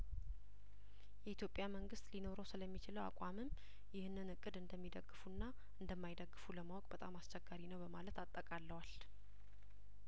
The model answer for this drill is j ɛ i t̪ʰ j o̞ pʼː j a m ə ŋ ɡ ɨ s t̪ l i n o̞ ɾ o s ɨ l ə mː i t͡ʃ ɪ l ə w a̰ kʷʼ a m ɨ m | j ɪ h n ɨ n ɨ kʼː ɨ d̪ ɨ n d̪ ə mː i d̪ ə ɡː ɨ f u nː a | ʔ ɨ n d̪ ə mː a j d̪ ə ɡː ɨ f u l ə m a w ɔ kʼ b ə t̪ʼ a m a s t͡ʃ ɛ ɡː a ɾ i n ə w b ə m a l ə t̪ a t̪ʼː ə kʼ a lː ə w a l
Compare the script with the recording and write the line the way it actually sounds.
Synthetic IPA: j ɛ i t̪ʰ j o̞ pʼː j a m ə ŋ ɡ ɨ s t̪ l i n o̞ ɾ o s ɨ l ə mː i t͡ʃ ɪ l ə w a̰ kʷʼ a m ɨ m | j ɪ h n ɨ n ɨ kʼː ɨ d̪ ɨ n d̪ ə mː i d̪ ə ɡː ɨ f u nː a | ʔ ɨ n d̪ ə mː a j d̪ ə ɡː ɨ f u l ə m a w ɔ kʼ b ə t̪ʼ a m a s t͡ʃ ɛ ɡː a ɾ i n ə w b ə m a l ə t̪ a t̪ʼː ə kʼ a lː ə w a l